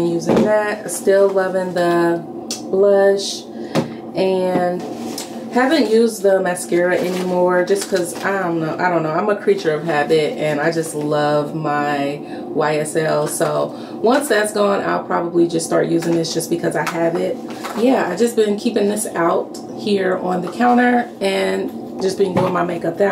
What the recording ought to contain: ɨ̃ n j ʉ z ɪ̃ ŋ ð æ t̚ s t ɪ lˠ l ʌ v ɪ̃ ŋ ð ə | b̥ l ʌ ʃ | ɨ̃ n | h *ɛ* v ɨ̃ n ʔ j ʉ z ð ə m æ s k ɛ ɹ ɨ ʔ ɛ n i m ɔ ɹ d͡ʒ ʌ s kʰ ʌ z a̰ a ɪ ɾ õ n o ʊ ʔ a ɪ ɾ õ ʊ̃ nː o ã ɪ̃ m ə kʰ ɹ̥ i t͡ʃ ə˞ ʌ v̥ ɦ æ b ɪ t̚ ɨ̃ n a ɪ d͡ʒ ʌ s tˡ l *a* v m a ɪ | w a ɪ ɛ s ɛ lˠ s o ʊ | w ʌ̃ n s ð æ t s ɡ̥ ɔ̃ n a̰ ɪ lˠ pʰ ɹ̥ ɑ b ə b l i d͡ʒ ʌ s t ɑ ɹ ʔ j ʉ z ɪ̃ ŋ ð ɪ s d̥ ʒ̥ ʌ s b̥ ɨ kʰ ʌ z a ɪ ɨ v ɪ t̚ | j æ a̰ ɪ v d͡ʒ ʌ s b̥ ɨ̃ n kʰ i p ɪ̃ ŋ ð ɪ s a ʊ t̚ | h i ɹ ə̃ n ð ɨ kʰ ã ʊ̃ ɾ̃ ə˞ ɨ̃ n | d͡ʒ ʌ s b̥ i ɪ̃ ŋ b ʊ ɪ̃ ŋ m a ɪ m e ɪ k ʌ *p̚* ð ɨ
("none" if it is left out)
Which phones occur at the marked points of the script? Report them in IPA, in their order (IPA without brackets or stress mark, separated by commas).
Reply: æ, ʌ, p̚